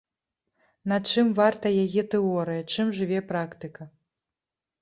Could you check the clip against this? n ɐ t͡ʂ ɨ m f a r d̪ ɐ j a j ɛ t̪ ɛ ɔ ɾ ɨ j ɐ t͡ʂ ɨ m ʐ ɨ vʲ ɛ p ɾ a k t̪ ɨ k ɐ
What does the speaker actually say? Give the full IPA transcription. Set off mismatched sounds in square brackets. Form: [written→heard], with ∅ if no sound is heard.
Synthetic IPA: n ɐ t͡ʂ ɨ m [f→v] a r [d̪→t̪] ɐ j a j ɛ t̪ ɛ ɔ ɾ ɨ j ɐ t͡ʂ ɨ m ʐ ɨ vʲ ɛ p ɾ a k t̪ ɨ k ɐ